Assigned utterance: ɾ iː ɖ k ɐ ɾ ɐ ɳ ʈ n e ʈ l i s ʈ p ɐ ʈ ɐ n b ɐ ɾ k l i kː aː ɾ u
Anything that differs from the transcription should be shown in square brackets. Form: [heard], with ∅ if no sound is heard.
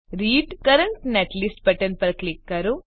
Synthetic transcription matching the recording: ɾ iː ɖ k ɐ ɾ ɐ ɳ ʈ n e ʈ l i s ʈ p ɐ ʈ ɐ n [p] ɐ ɾ k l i kː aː ɾ u